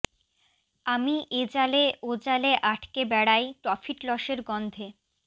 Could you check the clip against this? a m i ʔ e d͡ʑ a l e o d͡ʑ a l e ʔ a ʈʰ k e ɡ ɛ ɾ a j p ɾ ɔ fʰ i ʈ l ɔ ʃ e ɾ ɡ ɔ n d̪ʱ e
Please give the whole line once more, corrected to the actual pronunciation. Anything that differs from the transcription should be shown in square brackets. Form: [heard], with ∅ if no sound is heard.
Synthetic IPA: a m i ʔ e d͡ʑ a l e o d͡ʑ a l e ʔ a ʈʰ k e [b] ɛ [ɽ] a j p ɾ ɔ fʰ i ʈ l ɔ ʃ e ɾ ɡ ɔ n d̪ʱ e